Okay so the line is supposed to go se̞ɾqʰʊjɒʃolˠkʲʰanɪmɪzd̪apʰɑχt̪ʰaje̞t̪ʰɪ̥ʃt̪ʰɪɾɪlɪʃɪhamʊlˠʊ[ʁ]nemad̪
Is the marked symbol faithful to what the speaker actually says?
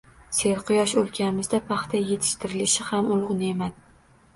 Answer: yes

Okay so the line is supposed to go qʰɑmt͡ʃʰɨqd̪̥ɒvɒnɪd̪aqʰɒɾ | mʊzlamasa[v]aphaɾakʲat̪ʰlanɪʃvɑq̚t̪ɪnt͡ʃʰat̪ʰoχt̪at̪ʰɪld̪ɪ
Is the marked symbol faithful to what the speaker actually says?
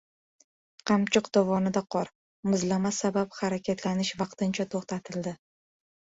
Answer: no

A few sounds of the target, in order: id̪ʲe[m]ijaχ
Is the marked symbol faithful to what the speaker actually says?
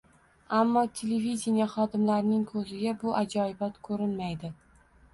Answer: no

